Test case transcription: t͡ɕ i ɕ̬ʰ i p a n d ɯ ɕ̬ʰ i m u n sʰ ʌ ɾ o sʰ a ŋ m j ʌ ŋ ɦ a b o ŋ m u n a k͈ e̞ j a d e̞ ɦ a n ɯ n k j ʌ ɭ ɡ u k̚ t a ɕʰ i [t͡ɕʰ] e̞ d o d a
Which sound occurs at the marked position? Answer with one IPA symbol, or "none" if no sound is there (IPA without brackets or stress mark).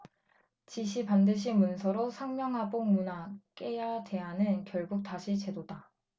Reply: t͡ɕ